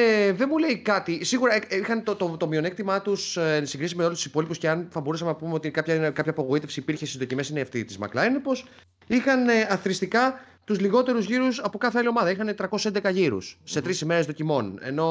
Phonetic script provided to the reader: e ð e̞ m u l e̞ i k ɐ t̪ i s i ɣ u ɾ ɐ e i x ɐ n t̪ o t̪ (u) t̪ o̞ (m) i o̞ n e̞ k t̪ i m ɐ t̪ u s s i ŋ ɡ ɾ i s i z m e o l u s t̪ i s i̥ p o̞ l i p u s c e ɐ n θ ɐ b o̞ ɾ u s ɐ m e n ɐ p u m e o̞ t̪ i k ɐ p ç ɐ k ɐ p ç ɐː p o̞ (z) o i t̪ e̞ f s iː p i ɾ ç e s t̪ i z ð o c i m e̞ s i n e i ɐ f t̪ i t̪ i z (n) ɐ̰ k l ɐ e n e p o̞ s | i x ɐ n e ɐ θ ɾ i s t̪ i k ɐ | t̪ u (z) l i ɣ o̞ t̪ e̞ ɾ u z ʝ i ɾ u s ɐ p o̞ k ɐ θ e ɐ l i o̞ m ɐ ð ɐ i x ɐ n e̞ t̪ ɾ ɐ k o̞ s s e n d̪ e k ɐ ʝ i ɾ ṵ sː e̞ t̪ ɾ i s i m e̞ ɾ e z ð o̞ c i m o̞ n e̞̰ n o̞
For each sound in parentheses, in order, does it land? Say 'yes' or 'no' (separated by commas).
no, yes, no, no, yes